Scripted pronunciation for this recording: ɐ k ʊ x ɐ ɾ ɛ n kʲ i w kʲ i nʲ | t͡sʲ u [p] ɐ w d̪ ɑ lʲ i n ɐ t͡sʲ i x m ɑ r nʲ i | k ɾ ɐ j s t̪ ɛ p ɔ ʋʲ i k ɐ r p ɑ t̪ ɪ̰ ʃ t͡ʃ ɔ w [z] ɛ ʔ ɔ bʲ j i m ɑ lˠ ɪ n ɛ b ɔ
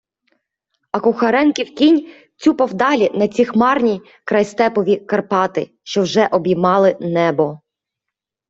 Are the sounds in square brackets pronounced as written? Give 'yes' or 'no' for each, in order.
yes, no

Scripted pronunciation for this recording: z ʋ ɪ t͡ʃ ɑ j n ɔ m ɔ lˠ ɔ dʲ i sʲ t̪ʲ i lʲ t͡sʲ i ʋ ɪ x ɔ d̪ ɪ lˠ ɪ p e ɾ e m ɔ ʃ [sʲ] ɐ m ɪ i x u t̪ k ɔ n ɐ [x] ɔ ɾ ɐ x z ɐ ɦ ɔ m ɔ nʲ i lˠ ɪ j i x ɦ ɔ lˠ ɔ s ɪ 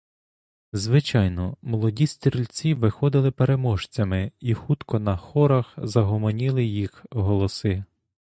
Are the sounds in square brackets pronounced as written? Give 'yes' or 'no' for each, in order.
no, yes

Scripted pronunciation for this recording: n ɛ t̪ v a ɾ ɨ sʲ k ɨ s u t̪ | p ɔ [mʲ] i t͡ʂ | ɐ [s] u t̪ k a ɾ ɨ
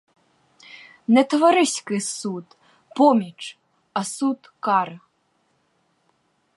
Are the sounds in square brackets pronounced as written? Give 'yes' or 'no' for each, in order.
yes, yes

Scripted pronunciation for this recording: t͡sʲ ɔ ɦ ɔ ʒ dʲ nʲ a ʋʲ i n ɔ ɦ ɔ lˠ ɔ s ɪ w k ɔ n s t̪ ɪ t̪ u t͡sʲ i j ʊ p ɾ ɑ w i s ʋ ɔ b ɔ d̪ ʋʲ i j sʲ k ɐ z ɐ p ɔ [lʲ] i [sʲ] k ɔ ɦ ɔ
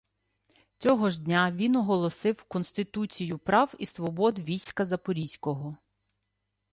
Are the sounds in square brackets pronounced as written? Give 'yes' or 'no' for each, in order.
no, yes

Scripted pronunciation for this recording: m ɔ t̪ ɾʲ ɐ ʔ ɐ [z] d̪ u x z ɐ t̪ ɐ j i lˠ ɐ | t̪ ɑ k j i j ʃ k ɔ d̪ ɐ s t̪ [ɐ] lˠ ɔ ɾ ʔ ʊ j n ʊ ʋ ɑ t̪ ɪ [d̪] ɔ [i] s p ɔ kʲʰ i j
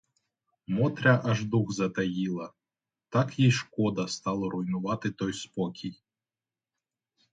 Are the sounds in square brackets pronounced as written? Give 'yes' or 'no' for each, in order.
no, no, no, no

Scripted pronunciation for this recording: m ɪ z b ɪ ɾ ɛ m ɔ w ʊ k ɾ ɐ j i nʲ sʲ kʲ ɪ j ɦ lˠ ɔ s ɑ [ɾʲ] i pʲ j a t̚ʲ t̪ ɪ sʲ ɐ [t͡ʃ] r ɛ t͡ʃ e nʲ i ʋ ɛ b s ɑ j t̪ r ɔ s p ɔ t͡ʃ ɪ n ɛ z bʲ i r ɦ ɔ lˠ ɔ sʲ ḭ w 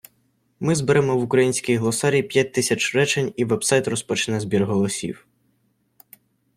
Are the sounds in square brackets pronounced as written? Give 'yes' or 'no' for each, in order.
yes, yes

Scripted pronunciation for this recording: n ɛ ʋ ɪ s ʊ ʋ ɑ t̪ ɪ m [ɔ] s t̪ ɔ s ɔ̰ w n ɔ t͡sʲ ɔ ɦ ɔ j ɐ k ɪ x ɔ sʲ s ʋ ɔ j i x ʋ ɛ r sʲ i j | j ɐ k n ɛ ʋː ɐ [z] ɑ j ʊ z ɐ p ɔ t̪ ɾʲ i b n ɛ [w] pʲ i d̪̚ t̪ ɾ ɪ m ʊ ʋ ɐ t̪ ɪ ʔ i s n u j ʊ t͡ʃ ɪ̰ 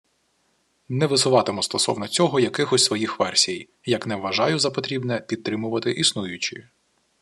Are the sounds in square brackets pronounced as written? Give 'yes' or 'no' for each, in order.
yes, no, no

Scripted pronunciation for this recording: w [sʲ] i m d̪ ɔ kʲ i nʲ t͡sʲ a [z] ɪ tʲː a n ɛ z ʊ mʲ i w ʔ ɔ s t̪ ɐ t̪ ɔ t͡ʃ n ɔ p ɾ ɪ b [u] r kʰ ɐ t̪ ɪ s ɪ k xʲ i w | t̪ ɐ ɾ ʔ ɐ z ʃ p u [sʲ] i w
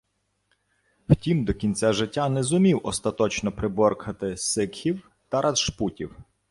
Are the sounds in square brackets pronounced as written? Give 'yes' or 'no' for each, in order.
no, no, no, no

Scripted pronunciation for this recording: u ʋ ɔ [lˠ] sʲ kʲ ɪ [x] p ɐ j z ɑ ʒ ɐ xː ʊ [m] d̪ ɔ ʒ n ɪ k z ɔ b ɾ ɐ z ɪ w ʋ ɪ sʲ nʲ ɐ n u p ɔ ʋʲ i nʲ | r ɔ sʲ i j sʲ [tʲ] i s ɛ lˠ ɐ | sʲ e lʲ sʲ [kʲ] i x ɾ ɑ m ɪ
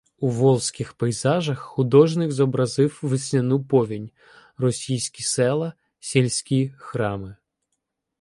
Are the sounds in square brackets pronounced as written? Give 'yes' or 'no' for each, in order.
yes, yes, no, no, yes

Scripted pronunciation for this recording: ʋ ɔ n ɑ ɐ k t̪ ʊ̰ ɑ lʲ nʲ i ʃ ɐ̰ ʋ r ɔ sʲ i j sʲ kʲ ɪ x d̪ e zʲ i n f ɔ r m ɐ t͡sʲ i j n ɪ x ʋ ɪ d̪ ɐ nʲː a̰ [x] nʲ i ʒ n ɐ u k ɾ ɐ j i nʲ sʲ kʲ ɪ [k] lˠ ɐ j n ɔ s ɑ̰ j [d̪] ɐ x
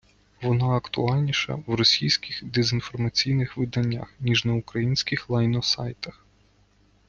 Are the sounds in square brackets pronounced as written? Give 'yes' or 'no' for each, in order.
yes, no, no

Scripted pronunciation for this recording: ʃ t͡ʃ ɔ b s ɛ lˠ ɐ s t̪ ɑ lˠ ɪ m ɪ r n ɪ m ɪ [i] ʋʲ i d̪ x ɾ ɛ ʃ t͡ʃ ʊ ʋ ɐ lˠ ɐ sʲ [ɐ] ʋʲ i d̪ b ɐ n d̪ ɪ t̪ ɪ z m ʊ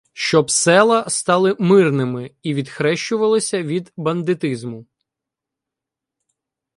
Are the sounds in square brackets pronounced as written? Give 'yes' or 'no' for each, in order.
yes, yes

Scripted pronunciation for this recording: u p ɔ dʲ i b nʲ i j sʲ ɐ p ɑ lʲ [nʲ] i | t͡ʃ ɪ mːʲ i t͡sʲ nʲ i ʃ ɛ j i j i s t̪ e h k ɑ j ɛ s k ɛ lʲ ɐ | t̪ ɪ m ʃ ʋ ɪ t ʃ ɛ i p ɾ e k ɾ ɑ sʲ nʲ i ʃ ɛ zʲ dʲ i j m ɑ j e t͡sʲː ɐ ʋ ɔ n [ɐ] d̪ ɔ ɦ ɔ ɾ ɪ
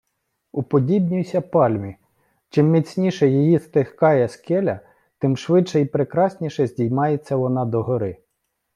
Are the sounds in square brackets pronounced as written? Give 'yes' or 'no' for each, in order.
no, no

